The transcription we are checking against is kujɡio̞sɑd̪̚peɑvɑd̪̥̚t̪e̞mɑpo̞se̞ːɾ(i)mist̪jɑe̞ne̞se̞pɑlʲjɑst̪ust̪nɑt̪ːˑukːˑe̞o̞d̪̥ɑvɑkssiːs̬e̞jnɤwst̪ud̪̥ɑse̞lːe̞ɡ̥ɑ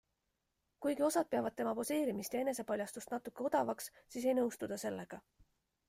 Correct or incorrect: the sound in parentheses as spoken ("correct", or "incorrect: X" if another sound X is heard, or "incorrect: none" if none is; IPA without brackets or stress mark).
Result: correct